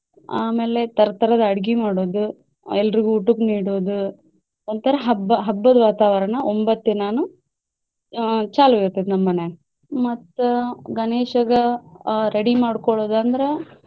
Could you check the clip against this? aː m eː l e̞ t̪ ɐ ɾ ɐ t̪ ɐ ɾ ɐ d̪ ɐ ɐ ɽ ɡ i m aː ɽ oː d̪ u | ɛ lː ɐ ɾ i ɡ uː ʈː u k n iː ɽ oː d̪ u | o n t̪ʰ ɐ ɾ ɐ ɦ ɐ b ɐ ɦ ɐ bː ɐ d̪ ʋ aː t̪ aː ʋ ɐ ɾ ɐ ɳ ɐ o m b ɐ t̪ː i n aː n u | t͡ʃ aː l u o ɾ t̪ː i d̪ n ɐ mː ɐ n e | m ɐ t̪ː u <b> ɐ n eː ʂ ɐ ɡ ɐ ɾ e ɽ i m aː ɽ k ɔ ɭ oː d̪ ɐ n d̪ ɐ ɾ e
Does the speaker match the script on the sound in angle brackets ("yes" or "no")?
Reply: no